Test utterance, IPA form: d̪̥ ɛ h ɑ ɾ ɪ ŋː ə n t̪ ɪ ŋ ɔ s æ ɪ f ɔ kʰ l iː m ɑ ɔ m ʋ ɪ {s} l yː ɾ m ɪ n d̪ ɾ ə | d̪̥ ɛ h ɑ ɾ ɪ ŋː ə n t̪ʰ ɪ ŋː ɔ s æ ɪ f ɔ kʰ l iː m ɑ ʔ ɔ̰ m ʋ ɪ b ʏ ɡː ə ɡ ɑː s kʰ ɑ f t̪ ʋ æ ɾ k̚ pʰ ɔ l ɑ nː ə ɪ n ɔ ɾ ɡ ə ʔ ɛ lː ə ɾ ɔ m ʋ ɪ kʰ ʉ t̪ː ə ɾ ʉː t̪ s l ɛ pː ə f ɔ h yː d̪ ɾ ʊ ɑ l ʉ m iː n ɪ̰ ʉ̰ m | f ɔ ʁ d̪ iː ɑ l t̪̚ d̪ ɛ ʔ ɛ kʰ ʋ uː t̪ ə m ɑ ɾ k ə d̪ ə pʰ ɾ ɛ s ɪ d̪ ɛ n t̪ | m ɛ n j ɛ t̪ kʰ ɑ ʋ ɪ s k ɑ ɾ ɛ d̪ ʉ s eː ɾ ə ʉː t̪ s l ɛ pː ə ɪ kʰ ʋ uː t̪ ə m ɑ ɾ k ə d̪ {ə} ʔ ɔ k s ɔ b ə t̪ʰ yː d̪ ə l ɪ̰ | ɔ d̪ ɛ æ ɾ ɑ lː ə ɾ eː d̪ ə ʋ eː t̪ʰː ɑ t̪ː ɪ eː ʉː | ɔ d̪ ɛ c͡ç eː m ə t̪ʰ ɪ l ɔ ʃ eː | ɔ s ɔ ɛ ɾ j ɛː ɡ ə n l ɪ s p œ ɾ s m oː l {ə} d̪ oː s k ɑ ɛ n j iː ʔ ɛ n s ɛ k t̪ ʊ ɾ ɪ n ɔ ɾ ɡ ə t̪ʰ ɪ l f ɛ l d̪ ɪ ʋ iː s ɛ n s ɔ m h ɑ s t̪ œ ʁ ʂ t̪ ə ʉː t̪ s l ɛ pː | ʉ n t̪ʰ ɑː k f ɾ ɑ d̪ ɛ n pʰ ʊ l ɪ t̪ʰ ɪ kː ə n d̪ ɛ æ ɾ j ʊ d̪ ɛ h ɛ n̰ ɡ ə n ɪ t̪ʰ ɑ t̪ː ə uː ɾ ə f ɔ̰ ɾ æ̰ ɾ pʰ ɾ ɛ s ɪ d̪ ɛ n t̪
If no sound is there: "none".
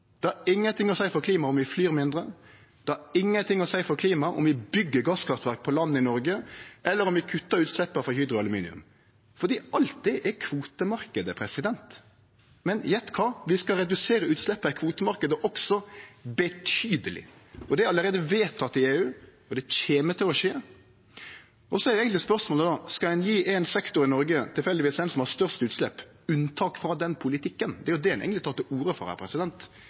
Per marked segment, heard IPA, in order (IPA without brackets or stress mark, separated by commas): f, ə, ə